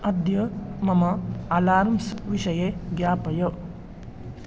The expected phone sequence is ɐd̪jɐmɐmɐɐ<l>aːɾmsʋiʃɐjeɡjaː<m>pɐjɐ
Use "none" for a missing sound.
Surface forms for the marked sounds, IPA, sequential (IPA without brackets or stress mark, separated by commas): l, none